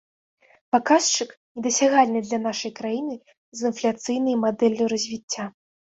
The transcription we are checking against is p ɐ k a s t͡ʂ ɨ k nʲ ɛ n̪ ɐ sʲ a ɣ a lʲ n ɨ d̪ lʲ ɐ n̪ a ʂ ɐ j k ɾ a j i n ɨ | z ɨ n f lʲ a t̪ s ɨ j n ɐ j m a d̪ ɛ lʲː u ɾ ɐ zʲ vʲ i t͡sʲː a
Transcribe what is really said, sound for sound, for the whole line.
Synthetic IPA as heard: p a k a s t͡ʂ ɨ k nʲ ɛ d̪ ɐ sʲ a ɣ a lʲ n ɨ d̪ lʲ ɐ n̪ a ʂ ɐ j k ɾ a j i n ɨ | z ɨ n f lʲ a t̪ s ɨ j n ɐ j m a d̪ ɛ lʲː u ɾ ɐ zʲ vʲ i t͡sʲː a